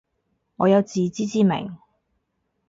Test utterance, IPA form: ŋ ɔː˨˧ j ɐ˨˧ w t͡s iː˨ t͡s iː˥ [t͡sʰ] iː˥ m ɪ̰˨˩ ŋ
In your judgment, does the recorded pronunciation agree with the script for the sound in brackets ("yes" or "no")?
no